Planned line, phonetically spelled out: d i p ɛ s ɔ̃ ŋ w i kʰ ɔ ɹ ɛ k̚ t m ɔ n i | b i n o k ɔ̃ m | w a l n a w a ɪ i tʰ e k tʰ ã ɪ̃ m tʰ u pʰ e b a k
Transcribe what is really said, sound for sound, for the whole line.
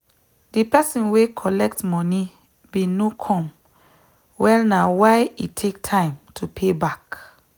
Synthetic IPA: d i p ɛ s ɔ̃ n w e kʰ ɔ l ɛ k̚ t m ɔ n i | b i n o kʰ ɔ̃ m | w ɛ l n a w a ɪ i tʰ e k tʰ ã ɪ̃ m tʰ u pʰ e b a k